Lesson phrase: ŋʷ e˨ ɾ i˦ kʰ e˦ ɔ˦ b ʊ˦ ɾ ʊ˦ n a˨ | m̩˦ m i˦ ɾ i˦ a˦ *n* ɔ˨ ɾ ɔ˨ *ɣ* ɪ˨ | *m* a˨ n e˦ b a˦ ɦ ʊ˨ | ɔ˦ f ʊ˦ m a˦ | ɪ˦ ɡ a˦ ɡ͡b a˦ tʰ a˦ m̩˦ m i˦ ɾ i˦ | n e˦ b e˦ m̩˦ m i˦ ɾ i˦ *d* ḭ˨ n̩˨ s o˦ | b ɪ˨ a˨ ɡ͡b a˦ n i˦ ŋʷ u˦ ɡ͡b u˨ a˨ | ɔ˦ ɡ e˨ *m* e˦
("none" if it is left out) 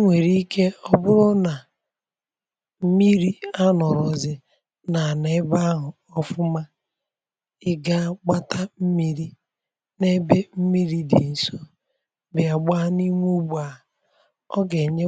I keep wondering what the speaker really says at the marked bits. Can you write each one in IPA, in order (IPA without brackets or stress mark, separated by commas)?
n, z, n, d, ɲ